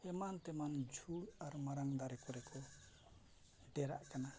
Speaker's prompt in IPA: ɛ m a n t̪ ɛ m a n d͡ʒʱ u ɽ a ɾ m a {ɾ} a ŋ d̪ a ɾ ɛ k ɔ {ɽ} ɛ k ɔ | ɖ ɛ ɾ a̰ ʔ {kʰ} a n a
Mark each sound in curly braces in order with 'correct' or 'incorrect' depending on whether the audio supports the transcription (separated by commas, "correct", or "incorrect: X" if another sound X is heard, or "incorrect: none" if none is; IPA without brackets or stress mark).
correct, incorrect: ɾ, incorrect: k